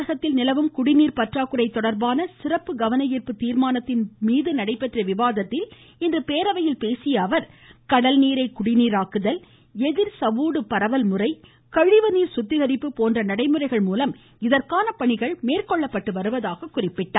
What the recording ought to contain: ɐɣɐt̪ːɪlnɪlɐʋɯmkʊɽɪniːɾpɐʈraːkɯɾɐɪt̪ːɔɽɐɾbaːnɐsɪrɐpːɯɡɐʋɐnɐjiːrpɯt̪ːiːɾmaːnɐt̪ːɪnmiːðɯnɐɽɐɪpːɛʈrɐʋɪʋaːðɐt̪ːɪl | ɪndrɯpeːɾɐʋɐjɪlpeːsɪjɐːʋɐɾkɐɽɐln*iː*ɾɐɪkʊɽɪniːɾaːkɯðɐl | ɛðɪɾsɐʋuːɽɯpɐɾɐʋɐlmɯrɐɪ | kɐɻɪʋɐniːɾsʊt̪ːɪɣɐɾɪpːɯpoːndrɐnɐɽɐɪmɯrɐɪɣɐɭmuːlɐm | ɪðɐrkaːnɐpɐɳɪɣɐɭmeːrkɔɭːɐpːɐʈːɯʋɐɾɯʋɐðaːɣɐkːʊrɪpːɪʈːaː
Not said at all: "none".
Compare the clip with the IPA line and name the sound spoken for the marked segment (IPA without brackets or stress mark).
iː